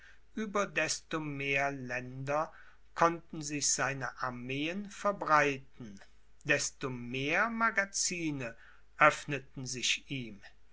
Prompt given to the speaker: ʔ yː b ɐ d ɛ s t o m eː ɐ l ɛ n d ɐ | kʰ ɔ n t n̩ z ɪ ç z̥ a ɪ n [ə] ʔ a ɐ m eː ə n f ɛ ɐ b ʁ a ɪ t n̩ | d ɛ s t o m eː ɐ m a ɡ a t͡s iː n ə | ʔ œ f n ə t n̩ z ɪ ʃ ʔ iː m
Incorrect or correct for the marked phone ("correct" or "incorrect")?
correct